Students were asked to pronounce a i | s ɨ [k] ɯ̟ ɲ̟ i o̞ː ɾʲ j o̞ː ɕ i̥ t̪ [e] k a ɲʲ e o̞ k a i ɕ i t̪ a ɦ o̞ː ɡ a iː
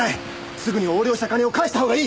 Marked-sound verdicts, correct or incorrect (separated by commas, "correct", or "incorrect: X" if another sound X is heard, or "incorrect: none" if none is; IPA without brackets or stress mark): incorrect: ɡ, incorrect: a